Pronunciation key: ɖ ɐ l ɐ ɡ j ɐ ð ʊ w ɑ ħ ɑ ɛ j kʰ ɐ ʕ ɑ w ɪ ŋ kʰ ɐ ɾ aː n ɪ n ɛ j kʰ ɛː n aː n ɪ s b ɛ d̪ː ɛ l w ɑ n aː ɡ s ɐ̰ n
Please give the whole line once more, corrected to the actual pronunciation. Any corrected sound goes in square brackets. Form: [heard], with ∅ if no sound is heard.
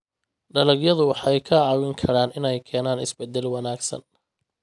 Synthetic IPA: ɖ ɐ l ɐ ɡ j ɐ ð ʊ w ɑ ħ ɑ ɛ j kʰ ɐ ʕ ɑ w ɪ ŋ kʰ ɐ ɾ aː n ɪ n ɛ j kʰ ɛː n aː n ɪ s b ɛ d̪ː ɛ l w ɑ n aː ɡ s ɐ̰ n